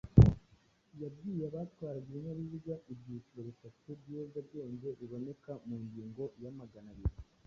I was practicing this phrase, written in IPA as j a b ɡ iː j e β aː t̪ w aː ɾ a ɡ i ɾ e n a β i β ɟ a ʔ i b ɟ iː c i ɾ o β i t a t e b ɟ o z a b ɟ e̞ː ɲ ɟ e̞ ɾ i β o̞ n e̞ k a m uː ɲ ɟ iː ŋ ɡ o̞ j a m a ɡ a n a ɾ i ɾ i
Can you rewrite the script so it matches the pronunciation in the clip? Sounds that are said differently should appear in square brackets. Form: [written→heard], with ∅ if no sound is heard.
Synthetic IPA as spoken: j a b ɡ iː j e β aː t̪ w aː ɾ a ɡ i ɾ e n a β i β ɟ a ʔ i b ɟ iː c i ɾ o β i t a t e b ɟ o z a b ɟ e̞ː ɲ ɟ e̞ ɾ i β o̞ n e̞ k a m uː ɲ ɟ iː ŋ ɡ o̞ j a m a ɡ a n a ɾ i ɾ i